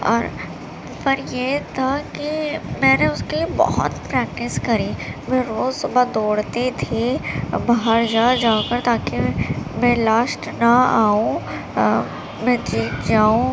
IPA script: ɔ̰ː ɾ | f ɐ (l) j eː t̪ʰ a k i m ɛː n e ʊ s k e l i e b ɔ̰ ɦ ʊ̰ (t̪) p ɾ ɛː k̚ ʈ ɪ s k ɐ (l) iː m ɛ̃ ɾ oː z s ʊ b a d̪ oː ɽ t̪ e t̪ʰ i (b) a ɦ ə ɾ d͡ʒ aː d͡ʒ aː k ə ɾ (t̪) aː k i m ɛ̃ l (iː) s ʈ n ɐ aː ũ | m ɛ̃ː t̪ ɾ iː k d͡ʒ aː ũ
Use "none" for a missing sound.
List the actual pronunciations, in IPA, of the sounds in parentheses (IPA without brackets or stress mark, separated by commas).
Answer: ɾ, t̪, ɾ, b, t̪, aː